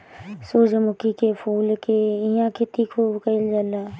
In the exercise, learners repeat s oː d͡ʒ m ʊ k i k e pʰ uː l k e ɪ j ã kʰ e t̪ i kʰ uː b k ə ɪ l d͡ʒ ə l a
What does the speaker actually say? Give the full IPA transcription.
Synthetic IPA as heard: s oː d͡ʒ m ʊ k i k e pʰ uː l k e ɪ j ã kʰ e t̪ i kʰ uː b k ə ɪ l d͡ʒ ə l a